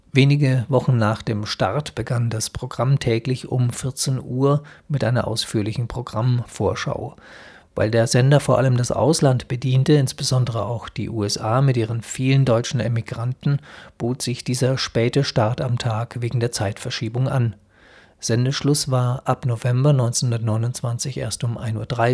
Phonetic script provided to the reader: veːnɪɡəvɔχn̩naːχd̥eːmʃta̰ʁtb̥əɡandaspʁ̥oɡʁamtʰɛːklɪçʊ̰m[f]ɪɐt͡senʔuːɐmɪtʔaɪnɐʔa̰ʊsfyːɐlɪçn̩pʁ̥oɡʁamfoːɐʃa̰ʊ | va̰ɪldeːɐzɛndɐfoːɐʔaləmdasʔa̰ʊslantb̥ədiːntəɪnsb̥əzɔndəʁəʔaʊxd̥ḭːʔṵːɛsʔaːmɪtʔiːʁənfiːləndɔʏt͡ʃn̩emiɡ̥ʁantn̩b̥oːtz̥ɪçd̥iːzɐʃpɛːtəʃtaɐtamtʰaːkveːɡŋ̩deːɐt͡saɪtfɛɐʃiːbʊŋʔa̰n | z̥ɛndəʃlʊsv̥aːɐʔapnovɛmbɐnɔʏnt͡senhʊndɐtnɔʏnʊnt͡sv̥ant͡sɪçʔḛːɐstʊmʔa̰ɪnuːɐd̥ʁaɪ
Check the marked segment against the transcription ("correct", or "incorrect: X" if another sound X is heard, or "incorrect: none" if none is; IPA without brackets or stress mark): correct